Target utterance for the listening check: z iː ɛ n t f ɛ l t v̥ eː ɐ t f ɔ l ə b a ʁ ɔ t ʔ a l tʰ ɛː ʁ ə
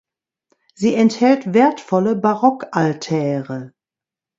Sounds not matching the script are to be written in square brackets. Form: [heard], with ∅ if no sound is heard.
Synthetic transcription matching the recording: z iː ɛ n t [h] ɛ l t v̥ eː ɐ t f ɔ l ə b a ʁ ɔ [k] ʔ a l tʰ ɛː ʁ ə